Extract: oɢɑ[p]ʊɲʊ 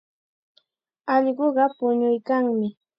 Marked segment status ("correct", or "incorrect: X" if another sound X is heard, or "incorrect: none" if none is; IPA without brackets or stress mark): correct